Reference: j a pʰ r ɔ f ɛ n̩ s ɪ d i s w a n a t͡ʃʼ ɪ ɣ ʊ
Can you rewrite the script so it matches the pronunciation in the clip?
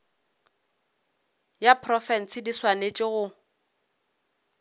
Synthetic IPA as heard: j a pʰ r ɔ f ɛ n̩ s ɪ d i s w a n e t͡ʃʼ ɪ ɣ ʊ